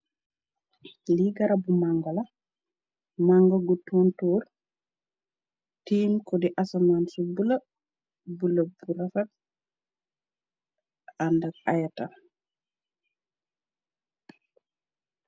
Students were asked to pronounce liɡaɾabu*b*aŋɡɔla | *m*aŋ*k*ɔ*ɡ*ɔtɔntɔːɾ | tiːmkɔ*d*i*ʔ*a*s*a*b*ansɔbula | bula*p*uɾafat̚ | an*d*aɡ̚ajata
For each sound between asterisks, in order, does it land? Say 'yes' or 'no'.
no, yes, no, yes, yes, yes, yes, no, no, yes

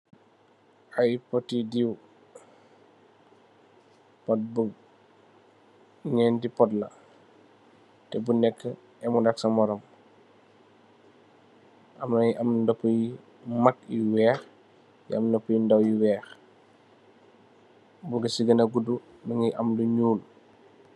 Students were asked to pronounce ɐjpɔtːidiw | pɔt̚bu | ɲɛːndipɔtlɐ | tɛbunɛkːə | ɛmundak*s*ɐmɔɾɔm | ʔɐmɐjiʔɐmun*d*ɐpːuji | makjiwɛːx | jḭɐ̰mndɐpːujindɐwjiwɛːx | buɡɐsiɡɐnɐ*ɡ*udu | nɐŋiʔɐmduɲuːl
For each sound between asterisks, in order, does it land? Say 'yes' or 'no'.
yes, yes, yes

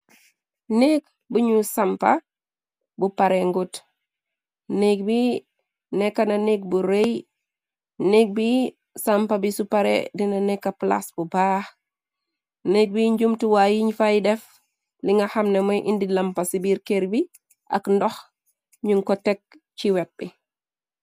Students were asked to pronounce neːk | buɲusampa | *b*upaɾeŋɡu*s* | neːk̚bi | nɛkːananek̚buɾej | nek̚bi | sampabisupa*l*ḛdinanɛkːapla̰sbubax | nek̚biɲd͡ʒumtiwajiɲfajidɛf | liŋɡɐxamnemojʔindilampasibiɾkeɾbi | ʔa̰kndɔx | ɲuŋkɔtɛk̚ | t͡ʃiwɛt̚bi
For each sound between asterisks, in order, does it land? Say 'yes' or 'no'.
yes, no, no

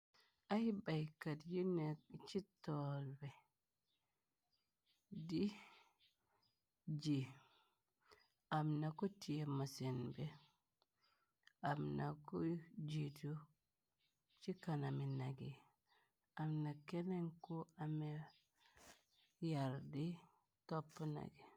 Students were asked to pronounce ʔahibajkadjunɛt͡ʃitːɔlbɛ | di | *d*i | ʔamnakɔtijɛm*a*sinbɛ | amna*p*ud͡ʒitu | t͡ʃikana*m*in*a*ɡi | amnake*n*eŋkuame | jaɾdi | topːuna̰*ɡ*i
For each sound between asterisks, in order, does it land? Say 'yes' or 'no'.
no, yes, no, yes, yes, yes, yes

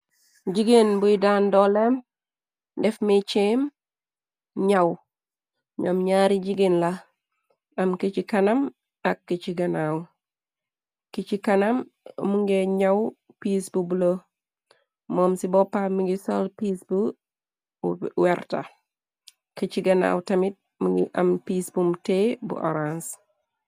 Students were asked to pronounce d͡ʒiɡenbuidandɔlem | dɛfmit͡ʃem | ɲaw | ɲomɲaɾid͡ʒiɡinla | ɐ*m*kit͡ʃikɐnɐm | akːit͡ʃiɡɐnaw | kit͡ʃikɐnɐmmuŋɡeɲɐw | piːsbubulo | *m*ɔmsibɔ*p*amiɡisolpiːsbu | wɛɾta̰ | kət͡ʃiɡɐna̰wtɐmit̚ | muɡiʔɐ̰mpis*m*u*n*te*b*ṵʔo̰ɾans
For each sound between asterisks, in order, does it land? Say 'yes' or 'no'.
yes, yes, yes, no, no, yes

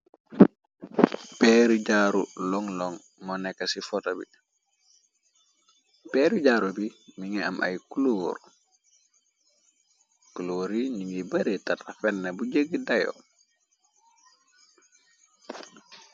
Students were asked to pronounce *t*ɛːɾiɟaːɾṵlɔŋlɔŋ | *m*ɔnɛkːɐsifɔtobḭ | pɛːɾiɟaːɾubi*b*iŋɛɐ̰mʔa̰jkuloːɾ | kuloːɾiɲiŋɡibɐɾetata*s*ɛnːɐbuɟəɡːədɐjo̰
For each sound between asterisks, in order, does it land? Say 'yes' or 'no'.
no, yes, no, no

